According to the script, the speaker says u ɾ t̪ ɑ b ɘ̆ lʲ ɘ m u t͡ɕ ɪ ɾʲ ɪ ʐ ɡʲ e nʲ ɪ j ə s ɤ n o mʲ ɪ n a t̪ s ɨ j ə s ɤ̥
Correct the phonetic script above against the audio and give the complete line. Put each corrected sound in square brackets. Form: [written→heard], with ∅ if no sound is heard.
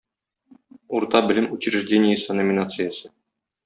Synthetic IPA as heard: u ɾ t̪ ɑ b ɘ̆ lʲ ɘ m u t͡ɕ ɪ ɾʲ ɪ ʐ [ɡʲ→dʲ] e nʲ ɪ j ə s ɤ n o mʲ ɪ n a t̪ s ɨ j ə s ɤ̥

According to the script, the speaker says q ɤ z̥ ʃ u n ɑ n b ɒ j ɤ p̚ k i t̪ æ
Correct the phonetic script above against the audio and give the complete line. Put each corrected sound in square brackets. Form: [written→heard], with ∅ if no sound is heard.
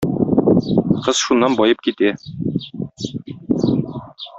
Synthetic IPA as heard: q ɤ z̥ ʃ u [n→nː] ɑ n b ɒ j ɤ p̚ k i t̪ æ

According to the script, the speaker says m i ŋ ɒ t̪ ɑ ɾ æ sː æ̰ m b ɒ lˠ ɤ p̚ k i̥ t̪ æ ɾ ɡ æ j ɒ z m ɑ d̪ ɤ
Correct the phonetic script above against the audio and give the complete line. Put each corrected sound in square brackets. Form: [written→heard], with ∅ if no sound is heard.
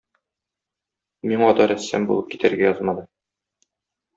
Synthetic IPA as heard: m i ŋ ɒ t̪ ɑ ɾ æ sː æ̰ m b [ɒ→u] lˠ ɤ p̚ k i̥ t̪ æ ɾ ɡ æ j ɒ z m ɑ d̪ ɤ

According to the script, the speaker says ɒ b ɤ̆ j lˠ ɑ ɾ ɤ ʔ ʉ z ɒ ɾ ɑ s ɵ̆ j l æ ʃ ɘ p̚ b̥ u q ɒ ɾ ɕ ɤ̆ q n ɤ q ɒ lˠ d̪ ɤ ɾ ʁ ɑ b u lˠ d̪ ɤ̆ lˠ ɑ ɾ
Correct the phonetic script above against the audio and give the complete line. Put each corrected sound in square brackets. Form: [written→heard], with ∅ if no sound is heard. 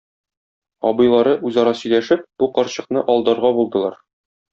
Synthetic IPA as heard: ɒ b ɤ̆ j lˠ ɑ ɾ ɤ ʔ ʉ z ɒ ɾ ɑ s ɵ̆ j l æ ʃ ɘ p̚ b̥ u q ɒ ɾ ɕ ɤ̆ q n ɤ [q→ʔ] ɒ lˠ d̪ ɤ ɾ ʁ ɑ b u lˠ d̪ ɤ̆ lˠ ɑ ɾ

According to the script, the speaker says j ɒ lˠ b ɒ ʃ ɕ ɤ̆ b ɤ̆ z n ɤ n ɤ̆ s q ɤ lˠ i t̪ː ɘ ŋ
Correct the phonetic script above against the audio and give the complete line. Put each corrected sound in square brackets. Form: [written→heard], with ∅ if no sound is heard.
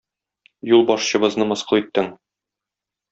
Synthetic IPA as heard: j [ɒ→u] lˠ b ɒ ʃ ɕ ɤ̆ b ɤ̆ z n ɤ [n→m] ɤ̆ s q ɤ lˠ i t̪ː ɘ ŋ

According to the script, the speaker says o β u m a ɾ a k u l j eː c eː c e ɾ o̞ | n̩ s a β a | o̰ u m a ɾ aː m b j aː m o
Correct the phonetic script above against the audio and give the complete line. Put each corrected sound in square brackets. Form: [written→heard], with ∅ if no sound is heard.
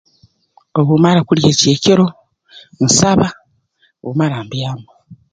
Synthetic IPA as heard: o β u m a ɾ a k u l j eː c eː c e ɾ o̞ | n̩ s a β a | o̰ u m a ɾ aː m b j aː m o

